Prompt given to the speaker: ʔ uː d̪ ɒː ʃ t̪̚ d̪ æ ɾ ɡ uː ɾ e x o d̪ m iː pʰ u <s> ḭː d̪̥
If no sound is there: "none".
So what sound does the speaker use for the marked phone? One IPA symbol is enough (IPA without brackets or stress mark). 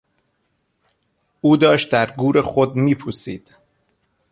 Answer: s